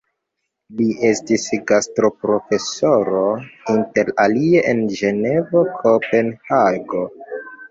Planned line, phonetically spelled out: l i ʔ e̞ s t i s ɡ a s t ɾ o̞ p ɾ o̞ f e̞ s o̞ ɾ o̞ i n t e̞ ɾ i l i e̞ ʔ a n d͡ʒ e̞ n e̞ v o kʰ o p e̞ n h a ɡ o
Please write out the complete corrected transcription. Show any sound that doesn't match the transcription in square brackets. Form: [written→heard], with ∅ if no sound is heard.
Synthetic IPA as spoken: l i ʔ e̞ s t i s ɡ a s t ɾ o̞ p ɾ o̞ f e̞ s o̞ ɾ o̞ i n t e̞ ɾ [i→a] l i e̞ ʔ [a→e] n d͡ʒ e̞ n e̞ v o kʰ o p e̞ n h a ɡ o